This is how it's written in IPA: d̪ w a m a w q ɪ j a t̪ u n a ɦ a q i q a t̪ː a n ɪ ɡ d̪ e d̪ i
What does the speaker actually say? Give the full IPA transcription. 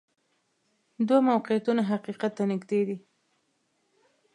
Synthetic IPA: d̪ w a m a w q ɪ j a t̪ u n a ɦ a q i q a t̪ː a n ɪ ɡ d̪ e d̪ i